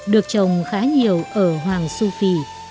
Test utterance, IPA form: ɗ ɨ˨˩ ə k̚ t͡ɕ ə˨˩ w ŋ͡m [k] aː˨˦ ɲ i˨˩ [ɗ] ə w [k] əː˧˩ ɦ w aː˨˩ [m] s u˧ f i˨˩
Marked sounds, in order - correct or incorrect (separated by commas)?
incorrect, incorrect, incorrect, incorrect